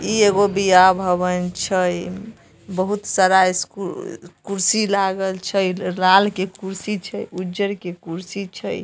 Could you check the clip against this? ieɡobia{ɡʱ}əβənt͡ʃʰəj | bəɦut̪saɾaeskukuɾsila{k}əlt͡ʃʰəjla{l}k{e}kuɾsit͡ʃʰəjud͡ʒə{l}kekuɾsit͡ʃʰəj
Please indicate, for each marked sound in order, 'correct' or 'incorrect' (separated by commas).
incorrect, incorrect, correct, correct, incorrect